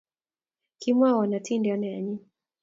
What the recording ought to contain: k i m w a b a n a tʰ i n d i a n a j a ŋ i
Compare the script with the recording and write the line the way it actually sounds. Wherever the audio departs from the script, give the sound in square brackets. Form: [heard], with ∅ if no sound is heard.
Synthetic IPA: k i m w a [w] a n a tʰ i n d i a n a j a [ɲ] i